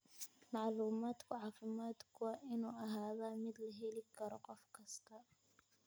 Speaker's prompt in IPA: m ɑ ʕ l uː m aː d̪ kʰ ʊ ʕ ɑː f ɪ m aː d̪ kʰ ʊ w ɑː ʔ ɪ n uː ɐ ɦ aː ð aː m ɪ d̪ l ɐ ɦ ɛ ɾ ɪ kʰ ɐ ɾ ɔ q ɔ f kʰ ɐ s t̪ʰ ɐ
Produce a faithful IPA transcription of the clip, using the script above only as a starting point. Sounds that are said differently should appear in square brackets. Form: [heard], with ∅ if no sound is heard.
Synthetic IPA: m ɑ ʕ l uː m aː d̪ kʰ ʊ ʕ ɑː f ɪ m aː d̪ kʰ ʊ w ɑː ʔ ɪ n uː ɐ ɦ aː ð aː m ɪ d̪ l ɐ ɦ ɛ [l] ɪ kʰ ɐ ɾ ɔ q ɔ f kʰ ɐ s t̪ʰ ɐ